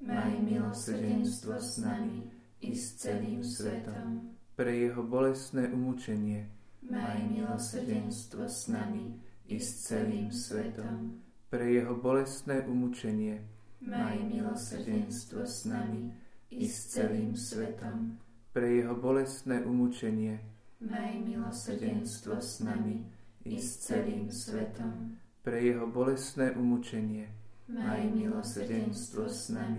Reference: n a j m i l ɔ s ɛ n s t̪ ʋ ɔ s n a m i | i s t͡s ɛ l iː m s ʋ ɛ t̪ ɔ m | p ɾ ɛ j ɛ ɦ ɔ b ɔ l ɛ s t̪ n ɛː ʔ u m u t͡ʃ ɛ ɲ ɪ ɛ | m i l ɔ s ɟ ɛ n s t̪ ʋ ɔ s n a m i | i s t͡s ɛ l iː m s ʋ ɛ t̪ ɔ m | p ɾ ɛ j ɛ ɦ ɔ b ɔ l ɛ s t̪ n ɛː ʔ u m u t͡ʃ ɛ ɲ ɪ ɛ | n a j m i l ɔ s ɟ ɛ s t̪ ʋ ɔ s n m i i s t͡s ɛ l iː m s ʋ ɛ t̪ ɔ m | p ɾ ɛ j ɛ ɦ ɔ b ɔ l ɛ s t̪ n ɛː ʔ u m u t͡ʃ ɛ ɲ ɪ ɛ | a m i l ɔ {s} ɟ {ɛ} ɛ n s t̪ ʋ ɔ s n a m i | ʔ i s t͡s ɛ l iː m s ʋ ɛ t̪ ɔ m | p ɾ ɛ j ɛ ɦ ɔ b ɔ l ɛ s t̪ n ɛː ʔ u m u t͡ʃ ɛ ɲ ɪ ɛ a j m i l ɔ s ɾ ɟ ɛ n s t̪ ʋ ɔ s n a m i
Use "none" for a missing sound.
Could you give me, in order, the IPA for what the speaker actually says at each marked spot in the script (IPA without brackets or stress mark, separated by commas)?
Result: s, ɛ